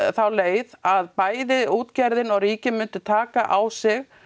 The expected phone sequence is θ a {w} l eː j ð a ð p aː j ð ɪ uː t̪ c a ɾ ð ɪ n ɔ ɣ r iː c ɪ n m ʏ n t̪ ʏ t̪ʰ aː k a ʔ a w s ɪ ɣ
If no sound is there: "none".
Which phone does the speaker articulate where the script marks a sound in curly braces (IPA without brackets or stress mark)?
w